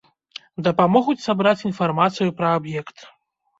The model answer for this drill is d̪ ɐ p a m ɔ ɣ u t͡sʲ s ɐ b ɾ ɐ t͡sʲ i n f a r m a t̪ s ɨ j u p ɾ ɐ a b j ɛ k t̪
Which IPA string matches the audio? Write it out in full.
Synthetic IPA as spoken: d̪ ɐ p a m ɔ ɣ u t͡sʲ s a b ɾ a t͡sʲ i n f a r m a t̪ s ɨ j u p ɾ ɐ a b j ɛ k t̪